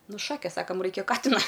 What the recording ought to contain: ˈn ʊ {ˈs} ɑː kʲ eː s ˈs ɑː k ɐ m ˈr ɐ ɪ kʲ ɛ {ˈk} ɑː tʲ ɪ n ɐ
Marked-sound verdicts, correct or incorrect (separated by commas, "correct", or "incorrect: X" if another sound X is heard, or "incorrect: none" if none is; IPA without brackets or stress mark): incorrect: ʃ, correct